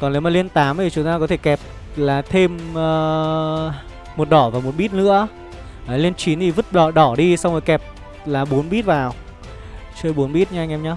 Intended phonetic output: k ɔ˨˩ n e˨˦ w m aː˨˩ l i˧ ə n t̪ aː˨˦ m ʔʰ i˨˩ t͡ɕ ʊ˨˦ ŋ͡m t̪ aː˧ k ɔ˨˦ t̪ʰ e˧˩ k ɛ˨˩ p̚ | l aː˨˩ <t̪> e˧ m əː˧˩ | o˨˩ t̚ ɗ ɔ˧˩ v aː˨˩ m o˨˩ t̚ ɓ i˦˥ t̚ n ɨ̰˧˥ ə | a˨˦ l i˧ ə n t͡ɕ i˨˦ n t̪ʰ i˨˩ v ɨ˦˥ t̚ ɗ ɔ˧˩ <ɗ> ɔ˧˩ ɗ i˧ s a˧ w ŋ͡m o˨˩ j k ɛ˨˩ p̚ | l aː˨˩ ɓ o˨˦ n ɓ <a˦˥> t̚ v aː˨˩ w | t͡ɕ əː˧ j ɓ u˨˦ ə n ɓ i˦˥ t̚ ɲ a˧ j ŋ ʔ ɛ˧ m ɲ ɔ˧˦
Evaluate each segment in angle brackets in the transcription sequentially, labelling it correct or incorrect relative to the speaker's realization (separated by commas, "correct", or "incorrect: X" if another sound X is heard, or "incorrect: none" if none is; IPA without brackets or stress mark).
incorrect: t̪ʰ, correct, incorrect: i˦˥